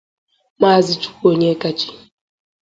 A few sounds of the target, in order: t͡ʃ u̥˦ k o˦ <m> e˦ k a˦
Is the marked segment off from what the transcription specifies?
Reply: yes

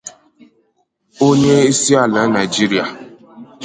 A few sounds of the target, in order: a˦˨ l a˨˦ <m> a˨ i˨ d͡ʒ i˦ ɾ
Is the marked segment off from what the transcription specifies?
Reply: yes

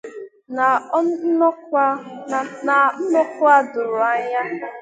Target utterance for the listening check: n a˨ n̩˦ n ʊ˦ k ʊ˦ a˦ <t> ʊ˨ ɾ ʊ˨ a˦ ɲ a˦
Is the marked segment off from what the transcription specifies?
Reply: yes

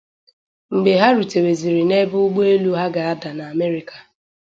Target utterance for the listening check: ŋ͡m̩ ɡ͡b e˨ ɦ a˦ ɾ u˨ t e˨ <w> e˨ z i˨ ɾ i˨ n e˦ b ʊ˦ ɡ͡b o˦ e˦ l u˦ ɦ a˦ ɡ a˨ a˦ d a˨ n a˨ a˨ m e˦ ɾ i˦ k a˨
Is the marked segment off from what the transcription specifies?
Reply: no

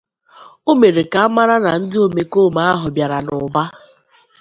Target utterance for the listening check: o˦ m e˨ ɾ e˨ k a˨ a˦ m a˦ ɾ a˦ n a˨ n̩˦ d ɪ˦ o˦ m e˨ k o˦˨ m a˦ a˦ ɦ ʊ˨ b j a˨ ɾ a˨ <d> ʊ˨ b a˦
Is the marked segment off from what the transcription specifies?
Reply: yes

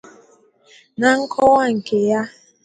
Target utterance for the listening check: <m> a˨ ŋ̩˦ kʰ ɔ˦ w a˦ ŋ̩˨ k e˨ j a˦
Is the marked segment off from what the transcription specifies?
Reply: yes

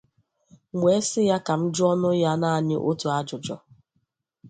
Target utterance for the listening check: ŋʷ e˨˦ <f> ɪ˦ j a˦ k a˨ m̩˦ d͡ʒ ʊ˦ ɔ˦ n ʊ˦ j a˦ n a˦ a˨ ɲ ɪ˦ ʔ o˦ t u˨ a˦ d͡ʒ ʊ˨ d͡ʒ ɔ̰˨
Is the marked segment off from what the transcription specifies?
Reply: yes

